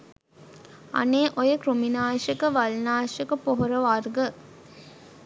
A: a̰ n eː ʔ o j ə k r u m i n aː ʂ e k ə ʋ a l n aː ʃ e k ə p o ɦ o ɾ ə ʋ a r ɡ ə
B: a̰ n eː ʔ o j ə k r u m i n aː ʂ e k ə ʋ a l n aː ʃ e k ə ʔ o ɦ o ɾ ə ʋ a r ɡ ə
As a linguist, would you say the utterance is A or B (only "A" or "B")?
A